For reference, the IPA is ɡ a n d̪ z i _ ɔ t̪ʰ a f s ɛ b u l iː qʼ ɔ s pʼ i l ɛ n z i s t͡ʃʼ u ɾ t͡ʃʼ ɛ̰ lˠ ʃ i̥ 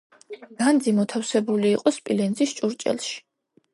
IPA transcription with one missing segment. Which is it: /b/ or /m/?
m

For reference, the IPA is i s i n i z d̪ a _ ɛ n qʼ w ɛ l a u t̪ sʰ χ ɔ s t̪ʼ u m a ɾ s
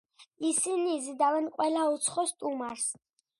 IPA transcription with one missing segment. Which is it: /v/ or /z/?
v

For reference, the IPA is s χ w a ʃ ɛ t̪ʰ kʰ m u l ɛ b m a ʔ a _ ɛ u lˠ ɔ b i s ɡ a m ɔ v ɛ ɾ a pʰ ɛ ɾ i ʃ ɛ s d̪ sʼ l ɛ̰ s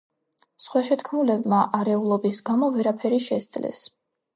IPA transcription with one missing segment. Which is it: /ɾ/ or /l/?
ɾ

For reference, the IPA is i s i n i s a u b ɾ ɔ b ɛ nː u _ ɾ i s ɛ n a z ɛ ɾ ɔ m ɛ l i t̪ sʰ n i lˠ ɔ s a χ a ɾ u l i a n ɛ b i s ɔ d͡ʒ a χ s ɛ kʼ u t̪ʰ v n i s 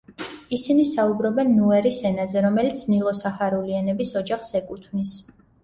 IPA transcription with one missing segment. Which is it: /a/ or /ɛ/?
ɛ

